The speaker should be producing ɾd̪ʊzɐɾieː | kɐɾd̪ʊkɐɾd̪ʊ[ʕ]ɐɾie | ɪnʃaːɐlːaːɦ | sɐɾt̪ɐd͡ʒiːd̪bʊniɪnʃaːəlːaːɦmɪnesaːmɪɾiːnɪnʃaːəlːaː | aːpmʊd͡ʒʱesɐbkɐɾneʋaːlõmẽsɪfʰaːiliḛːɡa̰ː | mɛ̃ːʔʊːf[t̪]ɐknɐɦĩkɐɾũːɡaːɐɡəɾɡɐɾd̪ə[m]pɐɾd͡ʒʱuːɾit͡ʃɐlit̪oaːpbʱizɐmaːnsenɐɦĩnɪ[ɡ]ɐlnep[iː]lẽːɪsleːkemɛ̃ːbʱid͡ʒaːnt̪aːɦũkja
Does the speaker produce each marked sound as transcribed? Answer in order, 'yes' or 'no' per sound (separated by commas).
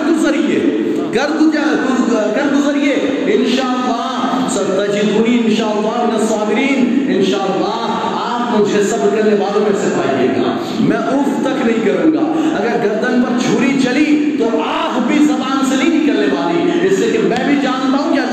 no, yes, no, no, no